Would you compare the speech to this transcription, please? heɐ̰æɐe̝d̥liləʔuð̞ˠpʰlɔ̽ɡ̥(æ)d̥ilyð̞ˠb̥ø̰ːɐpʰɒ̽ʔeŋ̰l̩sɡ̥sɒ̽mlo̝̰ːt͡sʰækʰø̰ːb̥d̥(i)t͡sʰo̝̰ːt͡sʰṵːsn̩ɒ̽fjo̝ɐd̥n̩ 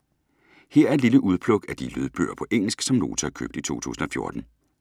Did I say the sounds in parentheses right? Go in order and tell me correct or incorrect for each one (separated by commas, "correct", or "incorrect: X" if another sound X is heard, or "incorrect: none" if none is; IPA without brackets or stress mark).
correct, correct